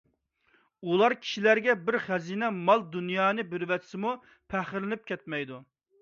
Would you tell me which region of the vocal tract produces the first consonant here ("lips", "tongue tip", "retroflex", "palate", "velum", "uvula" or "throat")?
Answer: tongue tip